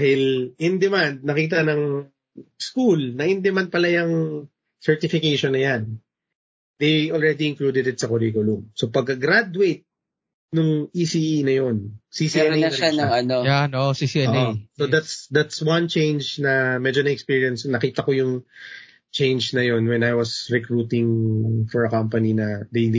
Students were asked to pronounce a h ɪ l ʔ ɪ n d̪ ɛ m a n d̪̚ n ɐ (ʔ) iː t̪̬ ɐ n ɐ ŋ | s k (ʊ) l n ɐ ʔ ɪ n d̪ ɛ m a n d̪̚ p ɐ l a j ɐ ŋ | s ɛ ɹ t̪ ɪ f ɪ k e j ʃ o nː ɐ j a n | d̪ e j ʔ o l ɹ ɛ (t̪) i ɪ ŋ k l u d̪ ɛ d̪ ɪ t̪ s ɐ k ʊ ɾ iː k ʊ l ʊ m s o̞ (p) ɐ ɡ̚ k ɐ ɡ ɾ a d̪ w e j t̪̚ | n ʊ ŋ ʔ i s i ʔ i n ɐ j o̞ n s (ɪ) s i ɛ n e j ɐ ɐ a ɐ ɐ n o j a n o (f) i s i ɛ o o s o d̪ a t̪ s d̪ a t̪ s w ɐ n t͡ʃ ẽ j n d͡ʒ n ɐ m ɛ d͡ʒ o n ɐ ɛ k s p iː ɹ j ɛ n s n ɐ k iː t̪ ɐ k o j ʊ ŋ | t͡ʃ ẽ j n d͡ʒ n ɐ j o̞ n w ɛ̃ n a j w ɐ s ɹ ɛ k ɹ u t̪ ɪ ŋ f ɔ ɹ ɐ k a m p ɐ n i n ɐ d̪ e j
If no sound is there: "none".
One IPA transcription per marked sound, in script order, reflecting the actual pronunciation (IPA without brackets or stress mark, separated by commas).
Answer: k, u, d̪, p, i, s